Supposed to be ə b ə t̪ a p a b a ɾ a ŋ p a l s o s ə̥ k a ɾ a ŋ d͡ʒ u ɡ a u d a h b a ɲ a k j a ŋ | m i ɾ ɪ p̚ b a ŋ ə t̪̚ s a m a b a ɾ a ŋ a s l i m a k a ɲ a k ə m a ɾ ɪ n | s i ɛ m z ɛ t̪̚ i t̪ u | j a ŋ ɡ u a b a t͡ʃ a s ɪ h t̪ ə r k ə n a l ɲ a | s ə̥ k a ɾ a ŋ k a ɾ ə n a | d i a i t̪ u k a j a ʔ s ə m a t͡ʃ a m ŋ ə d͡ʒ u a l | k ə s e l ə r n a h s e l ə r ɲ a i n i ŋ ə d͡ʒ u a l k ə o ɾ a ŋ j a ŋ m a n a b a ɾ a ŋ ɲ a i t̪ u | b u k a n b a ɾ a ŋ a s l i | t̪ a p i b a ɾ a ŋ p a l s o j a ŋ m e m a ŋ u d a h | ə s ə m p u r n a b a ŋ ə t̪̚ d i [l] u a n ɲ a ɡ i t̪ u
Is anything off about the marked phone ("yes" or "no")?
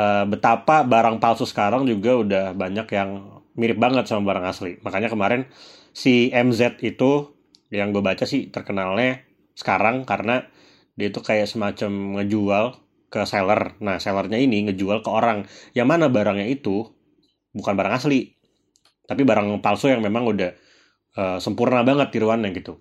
yes